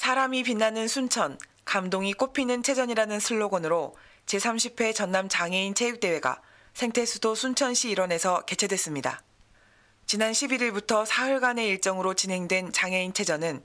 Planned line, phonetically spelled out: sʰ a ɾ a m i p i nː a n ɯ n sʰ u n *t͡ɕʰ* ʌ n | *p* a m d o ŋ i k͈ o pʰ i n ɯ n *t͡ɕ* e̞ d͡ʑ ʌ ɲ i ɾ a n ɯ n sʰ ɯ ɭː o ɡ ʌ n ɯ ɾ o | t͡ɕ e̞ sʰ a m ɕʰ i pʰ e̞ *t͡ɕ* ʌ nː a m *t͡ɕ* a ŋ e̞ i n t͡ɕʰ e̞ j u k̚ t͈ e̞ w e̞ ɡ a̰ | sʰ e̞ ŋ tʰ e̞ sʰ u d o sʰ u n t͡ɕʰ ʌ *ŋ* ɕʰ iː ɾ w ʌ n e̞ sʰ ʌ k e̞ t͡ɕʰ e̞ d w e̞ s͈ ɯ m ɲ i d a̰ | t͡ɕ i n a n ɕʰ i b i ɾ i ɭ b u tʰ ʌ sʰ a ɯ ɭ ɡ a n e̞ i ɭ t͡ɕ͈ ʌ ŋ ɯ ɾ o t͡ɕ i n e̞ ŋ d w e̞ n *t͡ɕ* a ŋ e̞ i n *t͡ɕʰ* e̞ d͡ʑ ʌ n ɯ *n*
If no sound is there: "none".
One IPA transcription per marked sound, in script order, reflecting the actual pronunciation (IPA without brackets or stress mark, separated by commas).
t͡ɕʰ, k, t͡ɕʰ, t͡ɕ, t͡ɕ, n, t͡ɕ, t͡ɕʰ, n